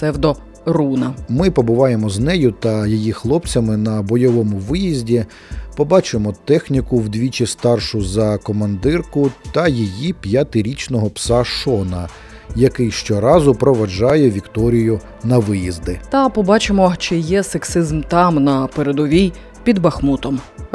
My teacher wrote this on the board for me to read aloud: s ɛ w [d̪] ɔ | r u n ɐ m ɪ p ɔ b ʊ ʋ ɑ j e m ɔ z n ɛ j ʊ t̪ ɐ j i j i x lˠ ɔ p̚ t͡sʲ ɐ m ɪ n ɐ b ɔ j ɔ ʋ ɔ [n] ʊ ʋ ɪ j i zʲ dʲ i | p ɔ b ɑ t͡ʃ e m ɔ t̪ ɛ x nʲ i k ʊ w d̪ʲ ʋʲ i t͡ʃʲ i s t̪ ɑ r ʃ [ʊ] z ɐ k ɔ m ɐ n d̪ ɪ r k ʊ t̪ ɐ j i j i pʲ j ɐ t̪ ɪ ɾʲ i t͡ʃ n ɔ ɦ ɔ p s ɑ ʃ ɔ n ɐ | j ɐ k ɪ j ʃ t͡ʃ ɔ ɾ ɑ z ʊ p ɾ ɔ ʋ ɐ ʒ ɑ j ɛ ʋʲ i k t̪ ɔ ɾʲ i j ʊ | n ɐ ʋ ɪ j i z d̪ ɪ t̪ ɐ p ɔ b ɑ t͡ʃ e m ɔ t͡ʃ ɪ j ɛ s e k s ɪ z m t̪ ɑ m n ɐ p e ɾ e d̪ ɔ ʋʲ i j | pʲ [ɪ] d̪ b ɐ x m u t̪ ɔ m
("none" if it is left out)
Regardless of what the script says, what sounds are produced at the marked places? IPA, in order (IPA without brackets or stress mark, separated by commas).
d̪, m, ʊ, i